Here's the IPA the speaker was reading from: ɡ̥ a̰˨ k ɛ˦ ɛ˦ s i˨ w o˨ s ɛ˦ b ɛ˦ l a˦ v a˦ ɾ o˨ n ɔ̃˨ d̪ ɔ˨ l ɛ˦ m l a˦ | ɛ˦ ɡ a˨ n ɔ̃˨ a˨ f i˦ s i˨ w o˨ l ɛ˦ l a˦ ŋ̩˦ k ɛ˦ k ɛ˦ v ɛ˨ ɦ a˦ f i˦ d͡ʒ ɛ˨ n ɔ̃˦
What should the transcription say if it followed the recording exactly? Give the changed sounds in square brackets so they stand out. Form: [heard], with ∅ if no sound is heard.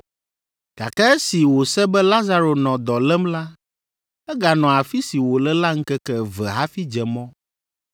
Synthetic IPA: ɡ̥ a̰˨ k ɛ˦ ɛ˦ s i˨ w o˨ s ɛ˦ b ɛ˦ l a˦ [z] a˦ ɾ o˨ n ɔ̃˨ d̪ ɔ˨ l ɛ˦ m l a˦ | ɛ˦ ɡ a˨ n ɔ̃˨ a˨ f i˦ s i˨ w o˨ l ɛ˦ l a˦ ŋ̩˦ k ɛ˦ k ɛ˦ v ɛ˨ ɦ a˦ f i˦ d͡ʒ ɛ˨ [m] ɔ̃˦